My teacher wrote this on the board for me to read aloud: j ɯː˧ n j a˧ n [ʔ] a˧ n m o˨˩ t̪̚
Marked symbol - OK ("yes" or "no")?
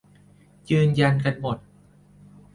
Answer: no